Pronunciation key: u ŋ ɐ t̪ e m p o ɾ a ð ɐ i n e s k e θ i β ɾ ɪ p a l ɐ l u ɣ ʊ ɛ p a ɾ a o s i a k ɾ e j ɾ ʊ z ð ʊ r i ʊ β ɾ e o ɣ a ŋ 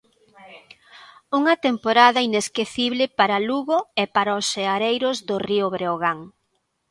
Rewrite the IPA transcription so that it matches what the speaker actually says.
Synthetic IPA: u ŋ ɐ t̪ e m p o ɾ a ð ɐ i n e s k e θ i β l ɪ p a ɾ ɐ l u ɣ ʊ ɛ p a ɾ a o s e a ɾ e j ɾ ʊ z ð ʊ r i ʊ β ɾ e o ɣ a ŋ

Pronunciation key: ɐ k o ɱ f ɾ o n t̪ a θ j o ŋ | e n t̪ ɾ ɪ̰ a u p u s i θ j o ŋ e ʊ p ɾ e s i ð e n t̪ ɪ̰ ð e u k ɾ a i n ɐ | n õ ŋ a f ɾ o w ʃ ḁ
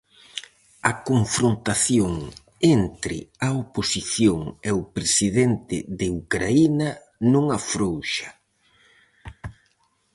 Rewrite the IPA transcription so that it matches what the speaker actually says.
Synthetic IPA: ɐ k o ɱ f ɾ o n t̪ a θ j o ŋ | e n t̪ ɾ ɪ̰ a o p o s i θ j o ŋ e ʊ p ɾ e s i ð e n t̪ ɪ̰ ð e u k ɾ a i n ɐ | n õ ŋ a f ɾ o w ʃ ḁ

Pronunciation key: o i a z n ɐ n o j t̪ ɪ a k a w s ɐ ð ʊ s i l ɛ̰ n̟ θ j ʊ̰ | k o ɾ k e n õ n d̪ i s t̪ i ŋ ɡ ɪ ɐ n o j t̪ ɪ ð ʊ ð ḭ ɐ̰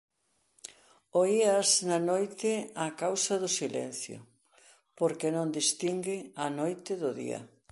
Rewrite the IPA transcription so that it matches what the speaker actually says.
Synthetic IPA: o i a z n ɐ n o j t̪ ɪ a k a w s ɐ ð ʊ s i l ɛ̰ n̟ θ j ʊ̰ | p o ɾ k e n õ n d̪ i s t̪ i ŋ ɡ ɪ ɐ n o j t̪ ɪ ð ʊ ð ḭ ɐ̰

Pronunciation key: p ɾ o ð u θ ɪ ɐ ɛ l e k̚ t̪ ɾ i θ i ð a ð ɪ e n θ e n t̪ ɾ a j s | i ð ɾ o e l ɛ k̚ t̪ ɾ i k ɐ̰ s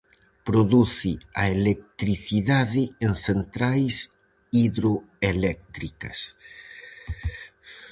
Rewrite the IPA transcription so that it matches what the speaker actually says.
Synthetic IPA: p ɾ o ð u θ ɪ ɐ e l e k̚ t̪ ɾ i θ i ð a ð ɪ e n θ e n t̪ ɾ a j s | i ð ɾ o e l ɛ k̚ t̪ ɾ i k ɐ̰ s

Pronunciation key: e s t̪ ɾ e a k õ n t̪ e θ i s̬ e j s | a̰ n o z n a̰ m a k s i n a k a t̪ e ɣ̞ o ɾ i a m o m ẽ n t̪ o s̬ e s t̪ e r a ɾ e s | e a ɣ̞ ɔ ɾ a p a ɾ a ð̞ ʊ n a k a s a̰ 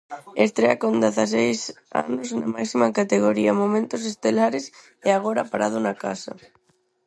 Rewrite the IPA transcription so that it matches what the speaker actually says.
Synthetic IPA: e s t̪ ɾ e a k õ n d̪ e θ a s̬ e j s | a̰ n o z n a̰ m a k s i m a k a t̪ e ɣ̞ o ɾ i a m o m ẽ n t̪ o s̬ e s t̪ e l a ɾ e s | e a ɣ̞ o ɾ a p a ɾ a ð̞ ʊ n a k a s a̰

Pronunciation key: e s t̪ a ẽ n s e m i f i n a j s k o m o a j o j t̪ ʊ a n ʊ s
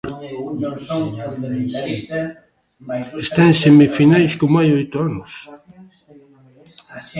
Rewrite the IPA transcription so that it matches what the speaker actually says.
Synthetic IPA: e s t̪ a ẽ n s e m i f i n a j s k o m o a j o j t̪ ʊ a n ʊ s

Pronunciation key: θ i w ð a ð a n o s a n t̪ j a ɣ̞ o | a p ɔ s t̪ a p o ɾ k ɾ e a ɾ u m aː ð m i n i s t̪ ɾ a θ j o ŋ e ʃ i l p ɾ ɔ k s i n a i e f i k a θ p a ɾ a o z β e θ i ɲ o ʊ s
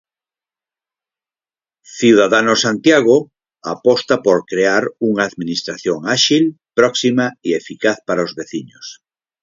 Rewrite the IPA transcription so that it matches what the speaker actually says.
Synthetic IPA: θ i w ð a ð a n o s a n t̪ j a ɣ̞ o | a p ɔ s t̪ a p o ɾ k ɾ e a ɾ u ŋ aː ð m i n i s t̪ ɾ a θ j o ŋ a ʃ i l p ɾ ɔ k s i m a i e f i k a θ p a ɾ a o z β e θ i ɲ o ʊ s

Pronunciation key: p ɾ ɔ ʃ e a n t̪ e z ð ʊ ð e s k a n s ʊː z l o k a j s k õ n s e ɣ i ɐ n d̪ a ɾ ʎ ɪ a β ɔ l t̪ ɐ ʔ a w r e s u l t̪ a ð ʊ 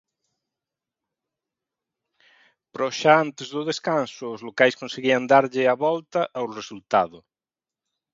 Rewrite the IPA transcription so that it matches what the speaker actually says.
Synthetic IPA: p ɾ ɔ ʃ a a n t̪ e z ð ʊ ð e s k a n s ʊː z l o k a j s k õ n s e ɣ i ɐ n d̪ a ɾ ʎ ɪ a β ɔ l t̪ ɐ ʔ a w r e s u l t̪ a ð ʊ

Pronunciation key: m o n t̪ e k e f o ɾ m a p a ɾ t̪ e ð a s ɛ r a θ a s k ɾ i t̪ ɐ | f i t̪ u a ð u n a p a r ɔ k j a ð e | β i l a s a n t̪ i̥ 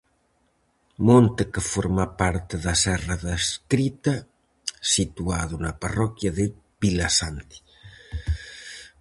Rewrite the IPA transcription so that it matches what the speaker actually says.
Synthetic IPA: m o n t̪ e k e f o ɾ m a p a ɾ t̪ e ð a s ɛ r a ð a s k ɾ i t̪ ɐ | s i t̪ u a ð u n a p a r ɔ k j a ð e | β i l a s a n t̪ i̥

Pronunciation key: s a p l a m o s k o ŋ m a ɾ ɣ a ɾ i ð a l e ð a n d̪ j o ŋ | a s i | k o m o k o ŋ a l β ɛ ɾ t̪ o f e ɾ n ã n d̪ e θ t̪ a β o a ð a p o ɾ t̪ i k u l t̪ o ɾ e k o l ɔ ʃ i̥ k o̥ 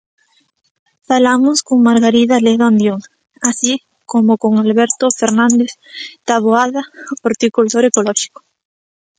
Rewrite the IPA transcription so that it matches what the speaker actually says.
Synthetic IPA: f a l a m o s k o ŋ m a ɾ ɣ a ɾ i ð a l e ð a n d̪ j o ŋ | a s i | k o m o k o ŋ a l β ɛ ɾ t̪ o f e ɾ n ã n d̪ e θ t̪ a β o a ð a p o ɾ t̪ i k u l t̪ o ɾ e k o l ɔ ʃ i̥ k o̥

